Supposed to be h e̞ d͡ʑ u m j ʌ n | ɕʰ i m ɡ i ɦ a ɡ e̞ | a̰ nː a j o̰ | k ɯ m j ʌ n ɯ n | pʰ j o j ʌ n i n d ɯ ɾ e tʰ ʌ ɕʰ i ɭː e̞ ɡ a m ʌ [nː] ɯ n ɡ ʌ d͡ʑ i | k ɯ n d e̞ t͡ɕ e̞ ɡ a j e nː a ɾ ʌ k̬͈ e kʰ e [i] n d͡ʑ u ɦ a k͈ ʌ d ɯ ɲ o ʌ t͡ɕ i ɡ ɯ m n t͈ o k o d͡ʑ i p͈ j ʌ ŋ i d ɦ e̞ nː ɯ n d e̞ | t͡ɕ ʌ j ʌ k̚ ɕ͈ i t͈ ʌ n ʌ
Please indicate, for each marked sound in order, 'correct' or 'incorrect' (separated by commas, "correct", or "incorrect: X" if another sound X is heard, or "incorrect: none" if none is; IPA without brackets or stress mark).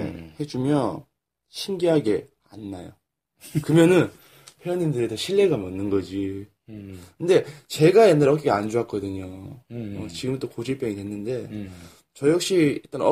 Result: correct, incorrect: a